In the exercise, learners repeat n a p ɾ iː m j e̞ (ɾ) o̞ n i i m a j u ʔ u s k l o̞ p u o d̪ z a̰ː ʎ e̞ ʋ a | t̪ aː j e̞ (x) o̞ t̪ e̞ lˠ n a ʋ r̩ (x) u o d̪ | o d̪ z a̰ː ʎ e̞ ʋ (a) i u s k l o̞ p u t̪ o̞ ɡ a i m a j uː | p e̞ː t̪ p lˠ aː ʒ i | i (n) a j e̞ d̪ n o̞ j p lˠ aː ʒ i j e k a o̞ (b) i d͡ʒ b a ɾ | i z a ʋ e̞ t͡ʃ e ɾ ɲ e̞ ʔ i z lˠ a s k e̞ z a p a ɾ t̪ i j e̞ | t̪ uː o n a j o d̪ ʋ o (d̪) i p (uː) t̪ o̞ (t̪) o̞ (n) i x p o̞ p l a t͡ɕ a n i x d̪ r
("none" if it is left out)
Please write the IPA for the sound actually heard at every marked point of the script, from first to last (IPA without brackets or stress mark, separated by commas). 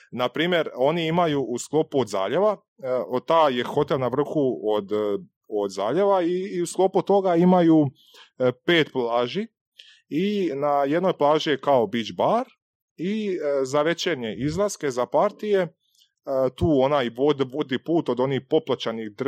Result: ɾ, x, x, a, n, b, d̪, uː, d̪, n